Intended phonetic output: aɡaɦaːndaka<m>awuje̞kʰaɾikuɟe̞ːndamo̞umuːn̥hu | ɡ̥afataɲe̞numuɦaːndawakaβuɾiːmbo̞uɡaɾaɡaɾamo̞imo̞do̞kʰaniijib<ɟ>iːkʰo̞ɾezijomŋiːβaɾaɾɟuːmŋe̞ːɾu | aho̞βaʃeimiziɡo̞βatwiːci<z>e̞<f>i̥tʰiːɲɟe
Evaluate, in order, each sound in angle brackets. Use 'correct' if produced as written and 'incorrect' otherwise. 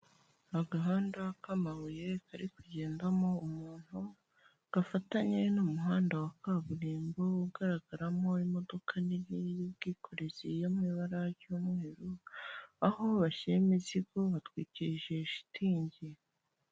correct, incorrect: ɡ, incorrect: ʒ, incorrect: ʃ

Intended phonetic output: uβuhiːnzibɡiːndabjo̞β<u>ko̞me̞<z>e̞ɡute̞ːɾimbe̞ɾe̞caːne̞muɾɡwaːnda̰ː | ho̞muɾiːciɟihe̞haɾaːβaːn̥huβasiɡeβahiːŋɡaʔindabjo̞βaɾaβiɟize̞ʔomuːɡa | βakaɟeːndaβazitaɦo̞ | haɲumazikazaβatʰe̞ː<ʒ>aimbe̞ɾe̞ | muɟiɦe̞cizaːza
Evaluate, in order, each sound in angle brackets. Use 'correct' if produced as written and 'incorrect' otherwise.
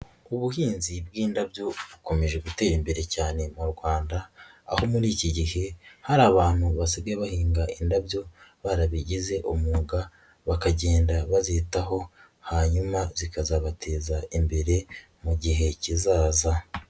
correct, incorrect: ʒ, incorrect: z

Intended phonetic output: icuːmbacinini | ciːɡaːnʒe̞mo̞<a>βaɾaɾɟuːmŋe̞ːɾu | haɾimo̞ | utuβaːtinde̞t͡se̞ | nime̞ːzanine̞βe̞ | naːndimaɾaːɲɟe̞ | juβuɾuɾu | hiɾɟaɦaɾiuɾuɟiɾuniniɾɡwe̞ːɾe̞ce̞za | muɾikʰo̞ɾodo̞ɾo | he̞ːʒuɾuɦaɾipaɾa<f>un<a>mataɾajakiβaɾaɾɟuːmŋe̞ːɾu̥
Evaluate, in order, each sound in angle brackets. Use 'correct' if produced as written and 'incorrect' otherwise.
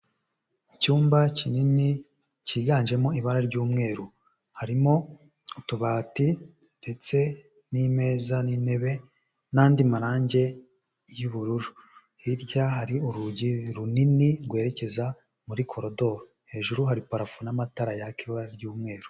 incorrect: i, correct, correct

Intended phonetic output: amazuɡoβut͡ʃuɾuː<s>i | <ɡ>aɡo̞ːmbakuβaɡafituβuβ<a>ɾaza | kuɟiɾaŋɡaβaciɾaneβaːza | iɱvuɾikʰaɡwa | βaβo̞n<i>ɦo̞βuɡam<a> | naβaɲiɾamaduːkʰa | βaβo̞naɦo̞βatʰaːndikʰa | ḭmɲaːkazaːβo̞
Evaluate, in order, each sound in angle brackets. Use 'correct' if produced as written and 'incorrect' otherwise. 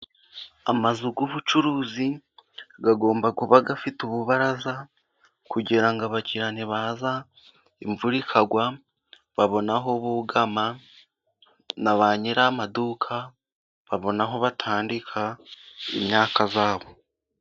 incorrect: z, correct, correct, incorrect: a, correct

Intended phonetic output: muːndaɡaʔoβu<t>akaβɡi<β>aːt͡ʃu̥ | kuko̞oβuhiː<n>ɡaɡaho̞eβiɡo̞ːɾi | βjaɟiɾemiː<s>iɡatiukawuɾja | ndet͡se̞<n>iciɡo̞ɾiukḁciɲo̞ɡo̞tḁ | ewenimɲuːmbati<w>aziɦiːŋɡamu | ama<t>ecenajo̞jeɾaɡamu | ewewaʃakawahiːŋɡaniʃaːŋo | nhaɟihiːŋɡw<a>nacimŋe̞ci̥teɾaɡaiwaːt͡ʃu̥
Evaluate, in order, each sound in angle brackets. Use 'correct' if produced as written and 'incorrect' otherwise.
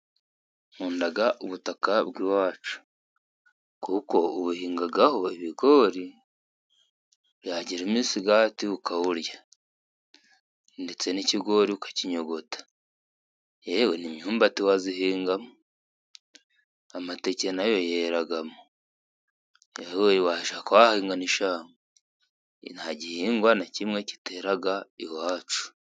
correct, incorrect: w, incorrect: ŋ, correct, correct, correct, correct, correct

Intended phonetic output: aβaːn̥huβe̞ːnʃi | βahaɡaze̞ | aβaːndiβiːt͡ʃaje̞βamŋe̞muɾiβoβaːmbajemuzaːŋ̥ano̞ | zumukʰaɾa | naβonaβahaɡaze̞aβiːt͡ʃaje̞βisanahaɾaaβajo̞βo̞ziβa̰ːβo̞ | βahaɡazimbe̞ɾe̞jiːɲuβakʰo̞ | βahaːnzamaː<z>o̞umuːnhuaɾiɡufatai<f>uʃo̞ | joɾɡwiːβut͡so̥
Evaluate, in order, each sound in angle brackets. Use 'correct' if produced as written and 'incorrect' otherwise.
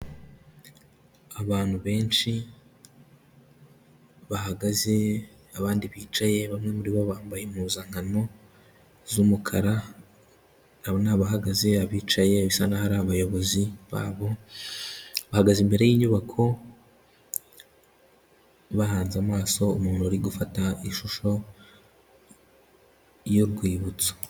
incorrect: s, incorrect: ʃ

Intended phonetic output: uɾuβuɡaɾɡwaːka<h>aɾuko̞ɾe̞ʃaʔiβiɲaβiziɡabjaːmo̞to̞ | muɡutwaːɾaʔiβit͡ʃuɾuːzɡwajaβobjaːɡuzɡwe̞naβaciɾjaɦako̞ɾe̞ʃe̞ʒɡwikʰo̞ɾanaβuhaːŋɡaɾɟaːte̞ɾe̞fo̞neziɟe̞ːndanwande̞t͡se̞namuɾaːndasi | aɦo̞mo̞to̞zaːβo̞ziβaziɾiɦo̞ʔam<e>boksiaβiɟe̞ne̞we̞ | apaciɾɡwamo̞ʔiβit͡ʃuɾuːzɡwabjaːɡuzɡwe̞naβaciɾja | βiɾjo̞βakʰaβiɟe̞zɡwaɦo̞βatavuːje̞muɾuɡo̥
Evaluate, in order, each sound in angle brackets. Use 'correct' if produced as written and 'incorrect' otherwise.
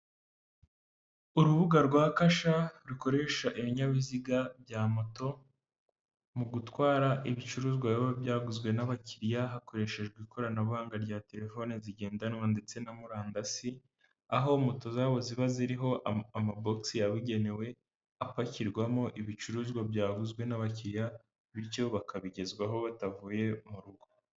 incorrect: ʃ, incorrect: a

